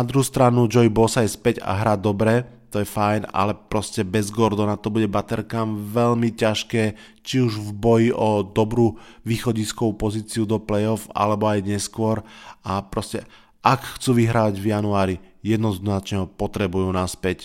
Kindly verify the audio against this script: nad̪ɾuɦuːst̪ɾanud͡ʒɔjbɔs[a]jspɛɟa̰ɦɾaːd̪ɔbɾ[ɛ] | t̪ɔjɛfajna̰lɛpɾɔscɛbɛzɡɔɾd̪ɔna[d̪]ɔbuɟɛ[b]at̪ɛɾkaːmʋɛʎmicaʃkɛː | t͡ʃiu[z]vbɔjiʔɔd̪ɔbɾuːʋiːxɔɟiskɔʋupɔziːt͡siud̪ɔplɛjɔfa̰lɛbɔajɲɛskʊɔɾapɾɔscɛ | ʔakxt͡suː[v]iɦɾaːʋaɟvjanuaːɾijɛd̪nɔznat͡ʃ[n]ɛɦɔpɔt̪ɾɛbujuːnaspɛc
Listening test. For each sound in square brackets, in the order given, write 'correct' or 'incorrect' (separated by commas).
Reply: correct, correct, incorrect, correct, incorrect, incorrect, incorrect